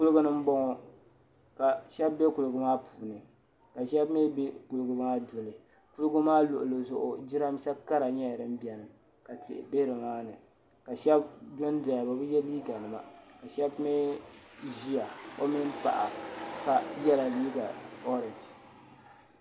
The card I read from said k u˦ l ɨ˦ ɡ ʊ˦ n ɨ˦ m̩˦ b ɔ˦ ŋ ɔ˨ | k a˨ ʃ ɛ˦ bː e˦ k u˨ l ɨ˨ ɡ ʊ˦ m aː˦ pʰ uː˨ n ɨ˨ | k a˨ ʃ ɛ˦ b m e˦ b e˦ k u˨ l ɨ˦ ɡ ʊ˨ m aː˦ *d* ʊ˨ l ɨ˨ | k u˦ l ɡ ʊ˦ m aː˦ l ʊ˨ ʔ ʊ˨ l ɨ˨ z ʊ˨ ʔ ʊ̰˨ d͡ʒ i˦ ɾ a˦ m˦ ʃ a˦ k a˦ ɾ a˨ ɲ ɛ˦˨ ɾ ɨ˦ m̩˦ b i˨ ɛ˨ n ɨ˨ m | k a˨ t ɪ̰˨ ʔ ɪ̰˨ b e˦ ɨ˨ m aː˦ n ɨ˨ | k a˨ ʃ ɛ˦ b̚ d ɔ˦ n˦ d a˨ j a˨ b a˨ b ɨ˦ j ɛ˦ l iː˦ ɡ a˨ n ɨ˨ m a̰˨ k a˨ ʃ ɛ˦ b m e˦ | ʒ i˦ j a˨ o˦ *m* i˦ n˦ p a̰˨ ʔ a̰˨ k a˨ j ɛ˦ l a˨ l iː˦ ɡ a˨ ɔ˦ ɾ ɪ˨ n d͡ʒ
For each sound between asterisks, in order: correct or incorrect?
correct, correct

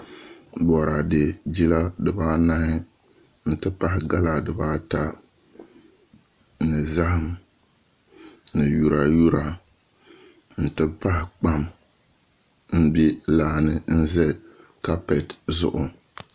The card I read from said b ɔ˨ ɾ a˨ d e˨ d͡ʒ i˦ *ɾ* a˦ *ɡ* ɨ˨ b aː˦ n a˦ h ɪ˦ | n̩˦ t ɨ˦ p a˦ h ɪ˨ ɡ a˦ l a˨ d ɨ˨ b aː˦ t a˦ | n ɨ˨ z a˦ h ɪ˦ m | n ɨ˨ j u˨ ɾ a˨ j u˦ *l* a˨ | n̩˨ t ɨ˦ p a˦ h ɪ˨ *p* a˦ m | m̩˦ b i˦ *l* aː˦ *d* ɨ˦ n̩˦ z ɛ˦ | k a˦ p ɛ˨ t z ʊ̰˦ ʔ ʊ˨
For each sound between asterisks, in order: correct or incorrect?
incorrect, incorrect, incorrect, incorrect, correct, incorrect

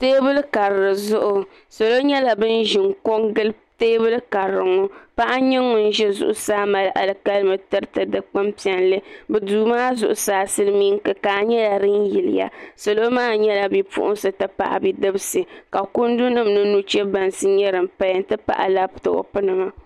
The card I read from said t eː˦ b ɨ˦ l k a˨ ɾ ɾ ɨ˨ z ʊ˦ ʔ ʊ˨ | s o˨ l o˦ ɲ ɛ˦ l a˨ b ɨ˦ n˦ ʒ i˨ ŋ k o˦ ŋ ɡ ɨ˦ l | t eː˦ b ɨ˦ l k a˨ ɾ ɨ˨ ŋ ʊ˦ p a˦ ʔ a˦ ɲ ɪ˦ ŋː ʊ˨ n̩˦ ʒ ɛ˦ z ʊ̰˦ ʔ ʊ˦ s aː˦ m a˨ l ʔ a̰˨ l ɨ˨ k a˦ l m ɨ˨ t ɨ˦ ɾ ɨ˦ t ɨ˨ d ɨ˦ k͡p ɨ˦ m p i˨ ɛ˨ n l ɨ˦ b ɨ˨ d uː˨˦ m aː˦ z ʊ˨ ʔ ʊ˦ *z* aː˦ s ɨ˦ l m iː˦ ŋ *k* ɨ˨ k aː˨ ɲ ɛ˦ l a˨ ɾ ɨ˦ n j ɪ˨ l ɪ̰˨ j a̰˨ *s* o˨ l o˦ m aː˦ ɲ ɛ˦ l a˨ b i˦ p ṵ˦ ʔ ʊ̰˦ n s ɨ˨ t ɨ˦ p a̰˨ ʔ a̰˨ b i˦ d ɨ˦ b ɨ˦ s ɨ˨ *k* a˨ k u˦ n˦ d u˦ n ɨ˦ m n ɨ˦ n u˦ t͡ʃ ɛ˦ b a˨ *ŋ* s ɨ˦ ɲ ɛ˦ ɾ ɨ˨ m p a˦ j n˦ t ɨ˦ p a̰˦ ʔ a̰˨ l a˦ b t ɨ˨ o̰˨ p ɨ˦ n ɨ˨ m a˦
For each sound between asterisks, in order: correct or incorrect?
incorrect, correct, correct, correct, incorrect

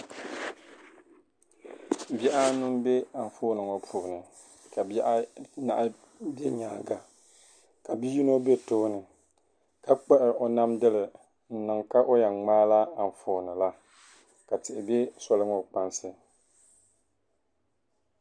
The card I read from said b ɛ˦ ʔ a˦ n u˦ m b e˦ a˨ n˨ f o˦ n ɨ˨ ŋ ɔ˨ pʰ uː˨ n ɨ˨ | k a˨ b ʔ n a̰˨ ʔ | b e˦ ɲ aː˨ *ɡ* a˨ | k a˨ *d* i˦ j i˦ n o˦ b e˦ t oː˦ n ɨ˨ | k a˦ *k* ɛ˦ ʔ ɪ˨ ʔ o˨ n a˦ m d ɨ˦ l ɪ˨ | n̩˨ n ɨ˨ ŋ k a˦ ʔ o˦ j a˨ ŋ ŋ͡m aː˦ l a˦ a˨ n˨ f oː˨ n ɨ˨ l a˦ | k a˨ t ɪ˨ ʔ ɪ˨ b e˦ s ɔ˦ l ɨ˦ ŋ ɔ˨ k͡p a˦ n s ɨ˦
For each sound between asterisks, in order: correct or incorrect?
correct, incorrect, incorrect

